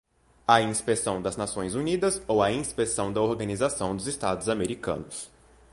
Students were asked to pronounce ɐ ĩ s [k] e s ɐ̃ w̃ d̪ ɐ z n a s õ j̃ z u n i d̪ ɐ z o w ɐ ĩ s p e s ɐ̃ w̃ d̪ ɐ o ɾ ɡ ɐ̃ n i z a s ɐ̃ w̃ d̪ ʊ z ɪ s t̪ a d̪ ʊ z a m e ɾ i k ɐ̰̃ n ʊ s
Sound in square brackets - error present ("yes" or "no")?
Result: yes